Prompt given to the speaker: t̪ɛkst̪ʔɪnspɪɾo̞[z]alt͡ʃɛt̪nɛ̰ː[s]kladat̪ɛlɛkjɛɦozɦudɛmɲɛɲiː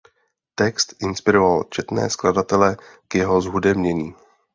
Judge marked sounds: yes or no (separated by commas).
no, yes